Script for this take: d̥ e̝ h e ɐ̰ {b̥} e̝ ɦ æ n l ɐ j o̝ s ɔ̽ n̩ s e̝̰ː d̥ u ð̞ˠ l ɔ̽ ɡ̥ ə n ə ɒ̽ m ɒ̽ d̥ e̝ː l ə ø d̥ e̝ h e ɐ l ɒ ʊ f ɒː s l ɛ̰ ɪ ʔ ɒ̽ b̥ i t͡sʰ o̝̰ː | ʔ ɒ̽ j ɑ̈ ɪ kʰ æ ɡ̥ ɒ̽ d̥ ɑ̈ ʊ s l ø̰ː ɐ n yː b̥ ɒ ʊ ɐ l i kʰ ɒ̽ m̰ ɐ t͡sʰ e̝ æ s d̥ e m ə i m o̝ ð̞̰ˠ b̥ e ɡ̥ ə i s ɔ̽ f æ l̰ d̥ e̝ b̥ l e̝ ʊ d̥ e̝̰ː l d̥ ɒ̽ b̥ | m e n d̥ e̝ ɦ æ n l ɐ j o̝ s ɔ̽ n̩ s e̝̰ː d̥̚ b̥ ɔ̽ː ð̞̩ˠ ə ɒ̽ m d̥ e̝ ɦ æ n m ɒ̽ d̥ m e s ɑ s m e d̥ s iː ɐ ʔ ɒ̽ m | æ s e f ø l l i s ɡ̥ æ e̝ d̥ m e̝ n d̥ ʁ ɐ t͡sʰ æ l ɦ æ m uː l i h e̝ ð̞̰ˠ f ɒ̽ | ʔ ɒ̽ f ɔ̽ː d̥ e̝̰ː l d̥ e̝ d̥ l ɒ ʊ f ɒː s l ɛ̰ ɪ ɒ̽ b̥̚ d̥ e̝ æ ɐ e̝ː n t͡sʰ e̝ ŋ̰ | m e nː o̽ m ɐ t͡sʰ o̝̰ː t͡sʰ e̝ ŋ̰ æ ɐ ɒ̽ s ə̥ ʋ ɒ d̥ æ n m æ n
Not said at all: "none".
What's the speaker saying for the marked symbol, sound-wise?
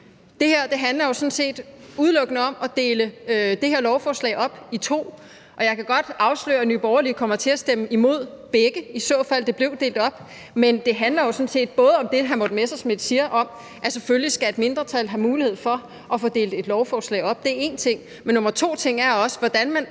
d̥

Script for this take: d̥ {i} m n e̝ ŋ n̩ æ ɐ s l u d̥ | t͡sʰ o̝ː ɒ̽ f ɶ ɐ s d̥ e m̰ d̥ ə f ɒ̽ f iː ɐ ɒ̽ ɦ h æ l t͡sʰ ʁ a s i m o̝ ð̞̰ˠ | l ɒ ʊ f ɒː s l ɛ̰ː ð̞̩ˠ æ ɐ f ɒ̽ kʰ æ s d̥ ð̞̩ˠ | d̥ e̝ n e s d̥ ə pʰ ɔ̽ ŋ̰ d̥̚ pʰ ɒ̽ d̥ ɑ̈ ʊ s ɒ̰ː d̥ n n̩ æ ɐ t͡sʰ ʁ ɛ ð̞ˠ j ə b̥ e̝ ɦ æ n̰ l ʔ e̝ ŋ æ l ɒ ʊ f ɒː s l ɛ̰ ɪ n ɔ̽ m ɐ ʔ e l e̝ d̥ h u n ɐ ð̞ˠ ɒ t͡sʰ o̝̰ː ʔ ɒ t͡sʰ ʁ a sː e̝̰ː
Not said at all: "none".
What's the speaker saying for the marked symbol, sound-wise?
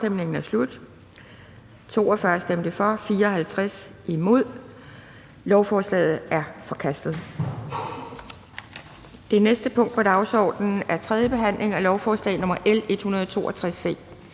e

